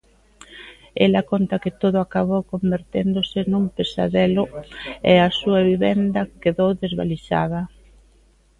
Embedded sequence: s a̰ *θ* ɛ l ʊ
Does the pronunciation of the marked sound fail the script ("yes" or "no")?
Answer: yes